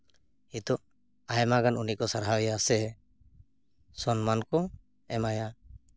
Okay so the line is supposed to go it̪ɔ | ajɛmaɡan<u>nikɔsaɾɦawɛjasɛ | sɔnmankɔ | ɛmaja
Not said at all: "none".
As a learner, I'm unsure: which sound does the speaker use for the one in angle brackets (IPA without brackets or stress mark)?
u